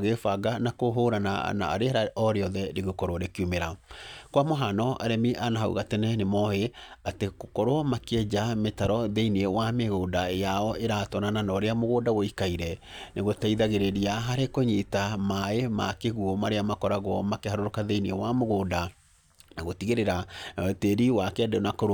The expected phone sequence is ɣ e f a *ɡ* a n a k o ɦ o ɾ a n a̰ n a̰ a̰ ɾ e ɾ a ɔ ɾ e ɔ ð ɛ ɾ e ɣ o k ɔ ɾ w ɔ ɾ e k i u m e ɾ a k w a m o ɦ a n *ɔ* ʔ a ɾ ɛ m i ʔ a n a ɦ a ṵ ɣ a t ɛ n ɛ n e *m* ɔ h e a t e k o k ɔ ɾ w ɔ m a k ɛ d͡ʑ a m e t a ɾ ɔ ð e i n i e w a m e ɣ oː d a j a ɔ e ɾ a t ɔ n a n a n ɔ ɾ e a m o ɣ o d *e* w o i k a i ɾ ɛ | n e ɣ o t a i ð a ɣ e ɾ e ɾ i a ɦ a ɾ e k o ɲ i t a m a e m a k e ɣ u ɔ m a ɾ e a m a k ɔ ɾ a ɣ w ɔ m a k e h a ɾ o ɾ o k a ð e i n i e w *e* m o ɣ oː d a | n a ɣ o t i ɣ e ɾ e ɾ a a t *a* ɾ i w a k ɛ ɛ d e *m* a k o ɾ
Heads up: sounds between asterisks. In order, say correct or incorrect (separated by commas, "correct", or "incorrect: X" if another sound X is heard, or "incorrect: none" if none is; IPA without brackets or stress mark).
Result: correct, correct, correct, incorrect: a, incorrect: a, incorrect: e, incorrect: n